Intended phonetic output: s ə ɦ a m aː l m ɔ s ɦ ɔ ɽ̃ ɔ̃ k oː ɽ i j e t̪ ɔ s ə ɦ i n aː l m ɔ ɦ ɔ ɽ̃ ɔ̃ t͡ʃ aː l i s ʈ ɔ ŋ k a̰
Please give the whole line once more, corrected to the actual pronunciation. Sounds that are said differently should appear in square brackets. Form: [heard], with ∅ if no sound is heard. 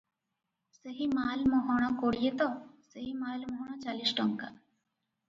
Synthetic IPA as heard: s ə ɦ [i] m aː l m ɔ [∅] ɦ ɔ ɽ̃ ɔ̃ k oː ɽ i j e t̪ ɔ s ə ɦ i [m] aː l m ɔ ɦ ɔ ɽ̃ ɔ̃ t͡ʃ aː l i s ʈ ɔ ŋ k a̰

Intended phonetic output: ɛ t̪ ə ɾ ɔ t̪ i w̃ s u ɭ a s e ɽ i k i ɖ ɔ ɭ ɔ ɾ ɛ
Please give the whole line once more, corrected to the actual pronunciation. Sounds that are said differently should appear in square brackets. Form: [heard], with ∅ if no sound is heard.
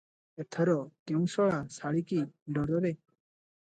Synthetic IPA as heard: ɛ [t̪ʰ] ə ɾ ɔ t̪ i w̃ s [ɔ] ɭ a s [a] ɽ i k i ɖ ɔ [ɾ] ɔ ɾ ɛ

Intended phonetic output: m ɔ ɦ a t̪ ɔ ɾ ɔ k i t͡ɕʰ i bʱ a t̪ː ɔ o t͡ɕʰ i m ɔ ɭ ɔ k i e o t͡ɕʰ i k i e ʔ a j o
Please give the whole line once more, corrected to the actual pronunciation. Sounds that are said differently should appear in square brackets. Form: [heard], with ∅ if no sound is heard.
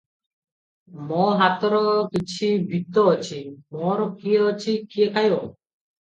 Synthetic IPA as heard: m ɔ ɦ a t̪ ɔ ɾ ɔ k i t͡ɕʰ i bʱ [i] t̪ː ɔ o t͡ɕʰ i m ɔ [ɾ] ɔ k i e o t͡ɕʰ i k i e [k] a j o

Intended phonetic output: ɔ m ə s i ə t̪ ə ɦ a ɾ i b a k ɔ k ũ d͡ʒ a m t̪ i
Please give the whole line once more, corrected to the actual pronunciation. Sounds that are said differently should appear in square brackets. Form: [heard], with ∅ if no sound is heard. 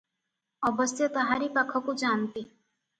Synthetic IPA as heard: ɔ [b] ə s [j] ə t̪ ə ɦ a ɾ i [p] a [kʰ] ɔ k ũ d͡ʒ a [n] t̪ i

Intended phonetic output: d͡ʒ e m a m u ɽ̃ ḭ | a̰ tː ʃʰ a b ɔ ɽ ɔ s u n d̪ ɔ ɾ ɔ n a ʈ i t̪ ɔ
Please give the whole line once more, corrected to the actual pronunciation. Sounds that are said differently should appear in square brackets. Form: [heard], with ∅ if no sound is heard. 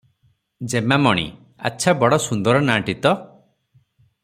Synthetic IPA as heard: d͡ʒ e m a m [ɔ] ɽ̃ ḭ | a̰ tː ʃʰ a b ɔ ɽ ɔ s u n d̪ ɔ ɾ ɔ n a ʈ i t̪ ɔ

